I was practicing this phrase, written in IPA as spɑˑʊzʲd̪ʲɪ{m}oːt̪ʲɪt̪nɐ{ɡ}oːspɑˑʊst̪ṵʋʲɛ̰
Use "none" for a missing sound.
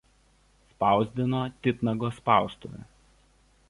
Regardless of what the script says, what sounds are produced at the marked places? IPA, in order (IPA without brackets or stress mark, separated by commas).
n, ɡ